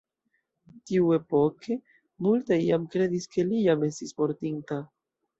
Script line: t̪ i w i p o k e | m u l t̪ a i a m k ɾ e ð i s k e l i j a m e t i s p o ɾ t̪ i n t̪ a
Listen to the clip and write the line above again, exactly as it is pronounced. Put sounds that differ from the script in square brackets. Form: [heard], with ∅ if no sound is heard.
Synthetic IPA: t̪ i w [e] p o k e | m u l t̪ a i a m k ɾ e ð i s k e l i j a m e [s] i s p o ɾ t̪ i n t̪ a